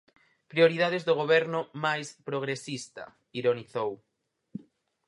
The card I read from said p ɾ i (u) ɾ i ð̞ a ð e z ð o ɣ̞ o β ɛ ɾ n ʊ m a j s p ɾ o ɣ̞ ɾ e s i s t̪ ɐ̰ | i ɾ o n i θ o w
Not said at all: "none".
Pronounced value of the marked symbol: o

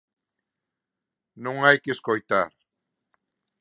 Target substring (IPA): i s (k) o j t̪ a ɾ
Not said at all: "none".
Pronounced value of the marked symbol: k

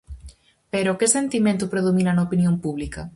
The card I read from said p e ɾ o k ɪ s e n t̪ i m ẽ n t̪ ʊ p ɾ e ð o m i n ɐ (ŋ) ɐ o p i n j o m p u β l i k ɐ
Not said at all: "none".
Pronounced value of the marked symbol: n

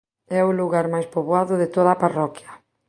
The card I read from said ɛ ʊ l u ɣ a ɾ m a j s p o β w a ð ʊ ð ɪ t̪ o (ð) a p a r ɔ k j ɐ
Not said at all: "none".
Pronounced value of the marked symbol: ð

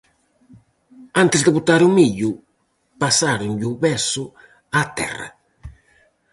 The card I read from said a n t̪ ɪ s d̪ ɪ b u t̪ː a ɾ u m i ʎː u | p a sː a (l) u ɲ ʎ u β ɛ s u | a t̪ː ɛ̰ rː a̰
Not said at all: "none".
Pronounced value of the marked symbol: ɾ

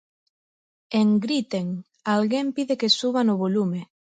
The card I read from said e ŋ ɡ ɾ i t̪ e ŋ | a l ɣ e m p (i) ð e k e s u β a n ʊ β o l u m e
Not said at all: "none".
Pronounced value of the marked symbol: i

